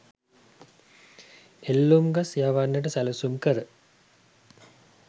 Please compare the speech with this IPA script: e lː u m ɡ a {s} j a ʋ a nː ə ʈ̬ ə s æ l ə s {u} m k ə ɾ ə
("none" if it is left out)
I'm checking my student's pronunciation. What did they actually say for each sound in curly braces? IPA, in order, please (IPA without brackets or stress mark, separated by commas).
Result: s, u